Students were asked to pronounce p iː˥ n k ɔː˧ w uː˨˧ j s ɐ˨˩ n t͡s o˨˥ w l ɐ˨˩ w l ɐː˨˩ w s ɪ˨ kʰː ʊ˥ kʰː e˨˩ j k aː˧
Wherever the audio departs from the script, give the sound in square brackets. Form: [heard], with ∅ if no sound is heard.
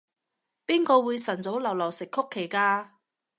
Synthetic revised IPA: p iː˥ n k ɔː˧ w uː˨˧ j s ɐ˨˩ n t͡s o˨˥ w l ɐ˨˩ w l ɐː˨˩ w s ɪ˨ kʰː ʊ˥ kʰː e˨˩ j k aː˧